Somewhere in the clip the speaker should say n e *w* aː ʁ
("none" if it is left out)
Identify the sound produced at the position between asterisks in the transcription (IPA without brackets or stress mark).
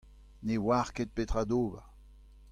w